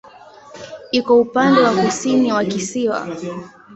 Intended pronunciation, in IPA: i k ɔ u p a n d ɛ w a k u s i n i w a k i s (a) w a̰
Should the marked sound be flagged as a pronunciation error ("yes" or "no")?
yes